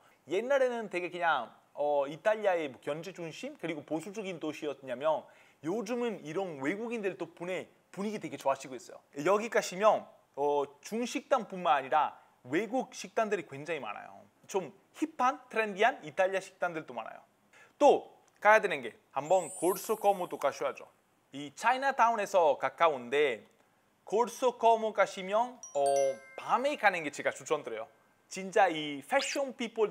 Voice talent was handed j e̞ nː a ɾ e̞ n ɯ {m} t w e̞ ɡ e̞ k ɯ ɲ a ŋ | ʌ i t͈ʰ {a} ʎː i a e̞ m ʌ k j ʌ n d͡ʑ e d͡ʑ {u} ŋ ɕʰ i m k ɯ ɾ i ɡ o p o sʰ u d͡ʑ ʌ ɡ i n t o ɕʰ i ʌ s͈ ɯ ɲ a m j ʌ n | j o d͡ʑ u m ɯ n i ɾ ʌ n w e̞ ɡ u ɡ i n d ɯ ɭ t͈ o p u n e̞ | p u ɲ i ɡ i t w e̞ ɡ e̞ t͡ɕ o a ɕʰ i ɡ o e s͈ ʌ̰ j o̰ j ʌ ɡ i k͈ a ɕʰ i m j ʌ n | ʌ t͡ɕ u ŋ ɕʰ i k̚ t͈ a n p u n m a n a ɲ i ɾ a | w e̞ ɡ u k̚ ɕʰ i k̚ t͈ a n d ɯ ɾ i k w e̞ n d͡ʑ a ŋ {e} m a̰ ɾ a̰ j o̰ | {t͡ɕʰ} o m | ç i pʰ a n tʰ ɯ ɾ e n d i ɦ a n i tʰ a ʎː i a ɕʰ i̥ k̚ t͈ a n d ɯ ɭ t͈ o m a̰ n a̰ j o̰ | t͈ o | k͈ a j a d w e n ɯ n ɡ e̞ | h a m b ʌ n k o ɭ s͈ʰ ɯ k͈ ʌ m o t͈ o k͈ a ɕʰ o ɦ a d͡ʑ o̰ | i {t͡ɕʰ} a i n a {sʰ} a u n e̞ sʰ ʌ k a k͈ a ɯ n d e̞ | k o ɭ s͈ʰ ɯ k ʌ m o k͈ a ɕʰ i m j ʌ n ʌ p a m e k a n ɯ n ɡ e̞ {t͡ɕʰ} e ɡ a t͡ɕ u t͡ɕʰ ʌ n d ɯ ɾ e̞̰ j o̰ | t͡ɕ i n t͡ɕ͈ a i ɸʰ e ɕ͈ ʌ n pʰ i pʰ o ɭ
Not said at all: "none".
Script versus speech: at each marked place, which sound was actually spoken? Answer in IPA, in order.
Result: n, a, u, i, t͡ɕ, t͡ɕʰ, tʰ, t͡ɕ

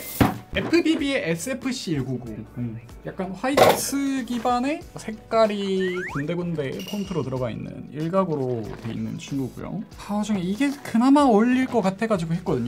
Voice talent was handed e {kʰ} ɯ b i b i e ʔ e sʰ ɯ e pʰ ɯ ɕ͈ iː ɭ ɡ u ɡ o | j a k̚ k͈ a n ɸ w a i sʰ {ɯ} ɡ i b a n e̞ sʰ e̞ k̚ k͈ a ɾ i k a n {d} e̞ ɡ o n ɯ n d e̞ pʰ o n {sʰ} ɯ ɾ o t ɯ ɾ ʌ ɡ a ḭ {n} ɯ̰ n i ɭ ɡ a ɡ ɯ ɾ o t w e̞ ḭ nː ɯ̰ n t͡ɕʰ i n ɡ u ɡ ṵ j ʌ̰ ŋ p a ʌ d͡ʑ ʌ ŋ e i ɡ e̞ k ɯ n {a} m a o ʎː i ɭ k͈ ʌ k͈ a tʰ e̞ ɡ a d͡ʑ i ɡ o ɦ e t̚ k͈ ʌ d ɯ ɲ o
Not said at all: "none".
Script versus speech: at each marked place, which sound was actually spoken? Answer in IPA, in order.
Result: pʰ, ɯ, d, tʰ, nː, a

